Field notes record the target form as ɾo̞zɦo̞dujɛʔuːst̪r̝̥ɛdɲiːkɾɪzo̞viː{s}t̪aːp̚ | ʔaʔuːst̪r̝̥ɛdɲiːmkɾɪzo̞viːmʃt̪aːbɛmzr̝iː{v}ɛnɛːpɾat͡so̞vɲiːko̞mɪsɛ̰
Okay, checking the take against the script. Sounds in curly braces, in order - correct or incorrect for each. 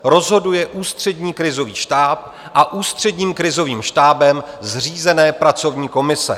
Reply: incorrect: ʃ, incorrect: z

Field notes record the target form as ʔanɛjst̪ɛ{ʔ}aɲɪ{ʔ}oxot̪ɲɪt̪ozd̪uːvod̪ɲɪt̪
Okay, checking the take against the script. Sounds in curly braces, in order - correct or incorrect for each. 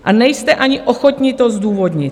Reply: correct, correct

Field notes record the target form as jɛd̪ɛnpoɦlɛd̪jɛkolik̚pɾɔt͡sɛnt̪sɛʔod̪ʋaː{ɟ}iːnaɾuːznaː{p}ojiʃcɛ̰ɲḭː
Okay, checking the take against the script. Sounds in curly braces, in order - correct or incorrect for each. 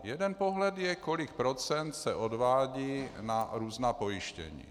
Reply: correct, correct

